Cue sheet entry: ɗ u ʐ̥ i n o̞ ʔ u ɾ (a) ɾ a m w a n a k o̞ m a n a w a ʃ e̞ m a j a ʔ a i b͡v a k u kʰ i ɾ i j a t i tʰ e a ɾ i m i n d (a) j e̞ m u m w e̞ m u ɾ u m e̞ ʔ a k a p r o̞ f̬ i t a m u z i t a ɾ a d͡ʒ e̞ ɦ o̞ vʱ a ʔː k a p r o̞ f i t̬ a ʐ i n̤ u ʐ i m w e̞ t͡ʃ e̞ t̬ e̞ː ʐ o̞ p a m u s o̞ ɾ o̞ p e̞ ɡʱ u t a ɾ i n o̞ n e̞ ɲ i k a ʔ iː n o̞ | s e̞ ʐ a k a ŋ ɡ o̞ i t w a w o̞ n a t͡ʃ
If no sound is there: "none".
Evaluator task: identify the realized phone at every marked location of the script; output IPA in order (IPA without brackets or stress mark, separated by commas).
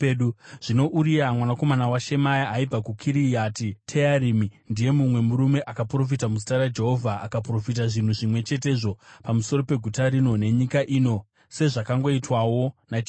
i, i